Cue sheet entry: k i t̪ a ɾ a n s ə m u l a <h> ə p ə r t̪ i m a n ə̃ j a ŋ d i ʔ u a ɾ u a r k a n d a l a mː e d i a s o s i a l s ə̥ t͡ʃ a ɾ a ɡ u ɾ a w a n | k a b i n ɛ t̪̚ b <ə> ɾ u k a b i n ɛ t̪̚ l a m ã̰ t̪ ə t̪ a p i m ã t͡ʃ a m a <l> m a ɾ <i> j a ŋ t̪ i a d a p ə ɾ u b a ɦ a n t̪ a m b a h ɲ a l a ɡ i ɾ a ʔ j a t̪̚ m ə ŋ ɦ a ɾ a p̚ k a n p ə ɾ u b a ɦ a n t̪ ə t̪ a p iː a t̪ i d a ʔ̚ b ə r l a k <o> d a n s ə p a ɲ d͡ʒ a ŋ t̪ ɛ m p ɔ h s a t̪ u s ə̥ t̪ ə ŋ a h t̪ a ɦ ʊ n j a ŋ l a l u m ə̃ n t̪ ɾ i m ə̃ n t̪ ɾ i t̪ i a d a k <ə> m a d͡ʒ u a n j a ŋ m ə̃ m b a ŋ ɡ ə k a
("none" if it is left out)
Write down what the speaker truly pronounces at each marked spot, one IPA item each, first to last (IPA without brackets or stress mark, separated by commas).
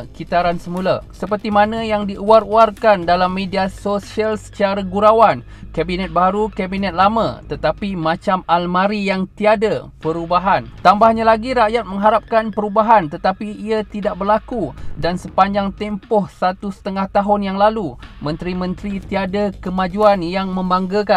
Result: s, a, l, i, u, ə